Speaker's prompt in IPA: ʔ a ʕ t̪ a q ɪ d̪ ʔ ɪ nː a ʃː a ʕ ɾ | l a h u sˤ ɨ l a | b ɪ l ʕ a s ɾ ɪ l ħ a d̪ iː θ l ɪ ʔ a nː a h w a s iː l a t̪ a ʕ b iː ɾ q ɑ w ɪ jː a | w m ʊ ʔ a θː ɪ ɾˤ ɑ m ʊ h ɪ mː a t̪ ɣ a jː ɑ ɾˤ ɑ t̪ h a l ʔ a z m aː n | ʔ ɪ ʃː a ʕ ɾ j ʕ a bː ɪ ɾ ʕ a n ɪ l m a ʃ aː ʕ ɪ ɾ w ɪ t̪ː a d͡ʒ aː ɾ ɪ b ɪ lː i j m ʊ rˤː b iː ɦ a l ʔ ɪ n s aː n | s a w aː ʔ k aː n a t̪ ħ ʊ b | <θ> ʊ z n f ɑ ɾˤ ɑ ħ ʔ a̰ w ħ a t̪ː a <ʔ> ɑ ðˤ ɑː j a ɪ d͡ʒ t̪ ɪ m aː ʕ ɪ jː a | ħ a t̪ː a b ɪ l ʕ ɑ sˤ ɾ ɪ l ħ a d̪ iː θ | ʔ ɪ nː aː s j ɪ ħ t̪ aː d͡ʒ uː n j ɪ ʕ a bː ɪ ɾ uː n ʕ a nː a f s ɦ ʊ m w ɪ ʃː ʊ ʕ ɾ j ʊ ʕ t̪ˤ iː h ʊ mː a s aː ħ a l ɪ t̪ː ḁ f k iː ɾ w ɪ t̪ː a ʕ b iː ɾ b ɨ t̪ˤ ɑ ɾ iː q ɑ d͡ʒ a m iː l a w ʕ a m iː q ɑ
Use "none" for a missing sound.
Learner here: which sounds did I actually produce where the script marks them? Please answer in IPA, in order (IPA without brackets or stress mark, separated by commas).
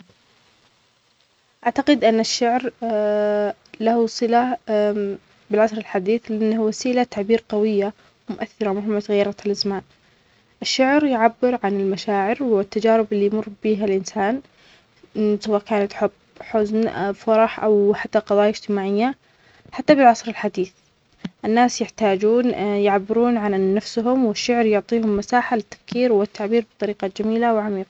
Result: ħ, q